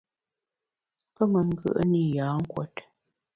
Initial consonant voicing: voiceless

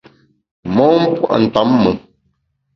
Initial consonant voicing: voiced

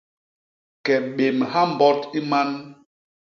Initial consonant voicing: voiceless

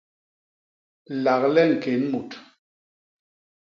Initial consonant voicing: voiced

